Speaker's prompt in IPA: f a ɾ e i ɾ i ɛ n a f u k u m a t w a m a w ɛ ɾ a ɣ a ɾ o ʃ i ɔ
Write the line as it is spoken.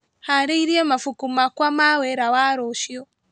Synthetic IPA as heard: h a ɾ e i ɾ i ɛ m a f u k u m a k w a m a w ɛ ɾ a w a ɾ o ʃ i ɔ